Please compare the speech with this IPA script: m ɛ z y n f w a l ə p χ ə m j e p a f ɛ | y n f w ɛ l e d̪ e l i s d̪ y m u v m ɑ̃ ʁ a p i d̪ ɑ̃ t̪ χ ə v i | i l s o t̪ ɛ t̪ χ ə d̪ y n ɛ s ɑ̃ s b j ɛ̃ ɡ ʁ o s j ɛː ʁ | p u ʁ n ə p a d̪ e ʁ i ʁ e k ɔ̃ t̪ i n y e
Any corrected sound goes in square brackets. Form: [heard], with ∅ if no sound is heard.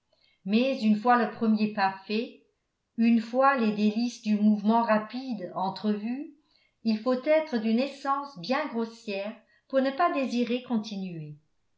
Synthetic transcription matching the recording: m ɛ z y n f w a l ə p χ ə m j e p a f ɛ | y n f w [a] l e d̪ e l i s d̪ y m u v m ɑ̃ ʁ a p i d̪ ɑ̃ t̪ χ ə v [y] | i l [f] o t̪ ɛ t̪ χ ə d̪ y n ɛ s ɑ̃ s b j ɛ̃ ɡ ʁ o s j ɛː ʁ | p u ʁ n ə p a d̪ e [z] i ʁ e k ɔ̃ t̪ i n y e

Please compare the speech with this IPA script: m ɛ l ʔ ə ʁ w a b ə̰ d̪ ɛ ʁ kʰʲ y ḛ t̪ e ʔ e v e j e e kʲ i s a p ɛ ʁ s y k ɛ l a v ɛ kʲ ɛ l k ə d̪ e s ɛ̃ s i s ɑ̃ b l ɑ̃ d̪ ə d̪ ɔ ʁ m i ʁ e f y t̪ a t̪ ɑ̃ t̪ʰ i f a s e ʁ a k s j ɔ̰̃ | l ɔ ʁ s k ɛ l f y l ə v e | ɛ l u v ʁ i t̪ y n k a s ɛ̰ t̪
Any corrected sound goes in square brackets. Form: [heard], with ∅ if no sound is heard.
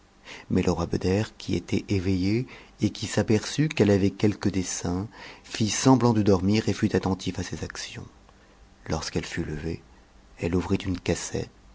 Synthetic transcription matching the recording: m ɛ l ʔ ə ʁ w a b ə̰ d̪ ɛ ʁ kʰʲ [i] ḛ t̪ [ɛ] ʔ e v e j e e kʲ i s a p ɛ ʁ s y k ɛ l a v ɛ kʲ ɛ l k ə d̪ e s ɛ̃ [f] i s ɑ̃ b l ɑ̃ d̪ ə d̪ ɔ ʁ m i ʁ e f y t̪ a t̪ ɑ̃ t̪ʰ i f a s e [z] a k s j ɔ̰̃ | l ɔ ʁ s k ɛ l f y l ə v e | ɛ l u v ʁ i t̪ y n k a s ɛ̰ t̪

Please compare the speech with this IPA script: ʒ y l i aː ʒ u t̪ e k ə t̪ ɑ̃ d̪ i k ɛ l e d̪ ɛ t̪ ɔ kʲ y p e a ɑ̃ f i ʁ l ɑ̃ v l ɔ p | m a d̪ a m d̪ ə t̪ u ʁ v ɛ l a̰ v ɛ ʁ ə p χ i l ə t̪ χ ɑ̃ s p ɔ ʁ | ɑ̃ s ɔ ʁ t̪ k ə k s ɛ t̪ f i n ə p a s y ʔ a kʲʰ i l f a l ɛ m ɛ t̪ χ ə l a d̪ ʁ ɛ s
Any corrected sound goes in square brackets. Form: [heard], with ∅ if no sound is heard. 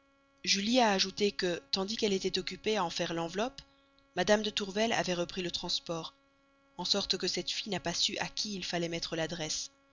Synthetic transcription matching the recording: ʒ y l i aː ʒ u t̪ e k ə t̪ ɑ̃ d̪ i k ɛ l e [t̪] ɛ t̪ ɔ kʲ y p e a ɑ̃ f [ɛ] ʁ l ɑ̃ v l ɔ p | m a d̪ a m d̪ ə t̪ u ʁ v ɛ l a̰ v ɛ ʁ ə p χ i l ə t̪ χ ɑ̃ s p ɔ ʁ | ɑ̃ s ɔ ʁ t̪ k ə [∅] s ɛ t̪ f i n [a] p a s y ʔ a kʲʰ [iː] l f a l ɛ m ɛ t̪ χ ə l a d̪ ʁ ɛ s

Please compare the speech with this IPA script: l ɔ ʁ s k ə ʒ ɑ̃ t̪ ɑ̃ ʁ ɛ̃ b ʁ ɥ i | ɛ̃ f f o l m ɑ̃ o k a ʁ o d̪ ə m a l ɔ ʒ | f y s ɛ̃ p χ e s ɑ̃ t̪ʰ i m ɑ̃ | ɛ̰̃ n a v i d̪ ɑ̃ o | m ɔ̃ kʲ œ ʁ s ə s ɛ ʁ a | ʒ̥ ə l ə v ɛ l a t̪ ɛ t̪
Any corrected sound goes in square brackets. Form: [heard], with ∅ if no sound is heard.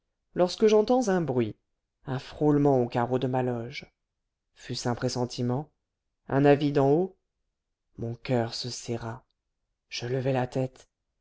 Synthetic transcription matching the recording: l ɔ ʁ s k ə ʒ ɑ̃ t̪ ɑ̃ [z] ɛ̃ b ʁ ɥ i | ɛ̃ f [χ] o l m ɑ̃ o k a ʁ o d̪ ə m a l ɔ ʒ | f y s ɛ̃ p χ e s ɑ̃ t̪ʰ i m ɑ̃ | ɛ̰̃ n a v i d̪ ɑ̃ o | m ɔ̃ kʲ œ ʁ s ə s ɛ ʁ a | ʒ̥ ə l ə v ɛ l a t̪ ɛ t̪

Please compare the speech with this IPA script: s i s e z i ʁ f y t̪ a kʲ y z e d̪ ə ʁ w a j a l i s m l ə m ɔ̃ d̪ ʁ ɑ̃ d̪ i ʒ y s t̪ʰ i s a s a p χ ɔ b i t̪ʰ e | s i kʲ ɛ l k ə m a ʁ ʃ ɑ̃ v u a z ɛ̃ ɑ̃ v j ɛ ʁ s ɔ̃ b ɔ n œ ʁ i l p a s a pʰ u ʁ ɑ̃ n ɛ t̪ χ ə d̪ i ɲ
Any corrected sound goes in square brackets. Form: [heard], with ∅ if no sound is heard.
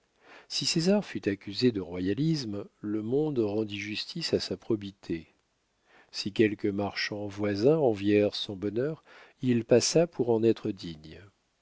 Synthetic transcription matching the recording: s i s e z [a] ʁ f y t̪ a kʲ y z e d̪ ə ʁ w a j a l i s m l ə m ɔ̃ d̪ ʁ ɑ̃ d̪ i ʒ y s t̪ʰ i s a s a p χ ɔ b i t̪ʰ e | s i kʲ ɛ l k ə m a ʁ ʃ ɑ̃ v [w] a z ɛ̃ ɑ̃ v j ɛ ʁ s ɔ̃ b ɔ n œ ʁ i l p a s a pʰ u ʁ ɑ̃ n ɛ t̪ χ ə d̪ i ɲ

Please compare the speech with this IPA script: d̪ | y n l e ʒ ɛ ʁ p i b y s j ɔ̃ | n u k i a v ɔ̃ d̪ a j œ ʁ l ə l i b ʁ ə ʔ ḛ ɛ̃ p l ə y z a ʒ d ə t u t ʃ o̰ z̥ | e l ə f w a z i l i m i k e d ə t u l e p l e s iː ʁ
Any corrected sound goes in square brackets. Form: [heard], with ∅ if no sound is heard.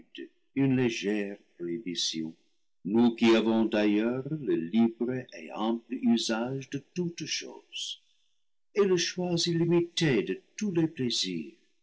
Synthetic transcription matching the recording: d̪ | y n l e ʒ ɛ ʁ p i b [i] s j ɔ̃ | n u k i a v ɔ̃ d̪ a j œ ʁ l ə l i b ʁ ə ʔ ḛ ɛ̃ p l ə y z a ʒ d ə t u t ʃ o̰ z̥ | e l ə [ʃ] w a z i l i m i [t] e d ə t u l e p l e [z] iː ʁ

